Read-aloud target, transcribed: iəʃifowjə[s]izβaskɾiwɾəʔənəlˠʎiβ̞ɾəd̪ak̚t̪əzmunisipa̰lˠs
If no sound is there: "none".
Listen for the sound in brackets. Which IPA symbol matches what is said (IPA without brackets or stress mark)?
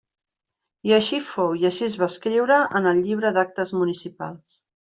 ʃ